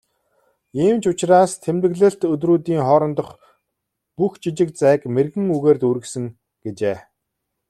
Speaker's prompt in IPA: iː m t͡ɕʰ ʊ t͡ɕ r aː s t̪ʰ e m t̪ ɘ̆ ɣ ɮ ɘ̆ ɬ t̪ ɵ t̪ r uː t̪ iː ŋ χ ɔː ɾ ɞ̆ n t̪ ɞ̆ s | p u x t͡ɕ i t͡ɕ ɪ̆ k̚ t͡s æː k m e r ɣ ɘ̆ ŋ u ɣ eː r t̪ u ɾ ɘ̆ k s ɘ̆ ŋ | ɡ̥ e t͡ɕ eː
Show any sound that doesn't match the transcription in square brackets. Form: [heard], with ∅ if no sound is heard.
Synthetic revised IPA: iː m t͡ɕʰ ʊ t͡ɕ r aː s t̪ʰ e m t̪ ɘ̆ ɣ ɮ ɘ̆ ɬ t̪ ɵ t̪ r uː t̪ iː ŋ χ ɔː ɾ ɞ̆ n t̪ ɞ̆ [χ] | p u x t͡ɕ i t͡ɕ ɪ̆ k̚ t͡s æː k m e r ɣ ɘ̆ ŋ u ɣ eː r t̪ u ɾ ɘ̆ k s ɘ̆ ŋ | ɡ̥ e t͡ɕ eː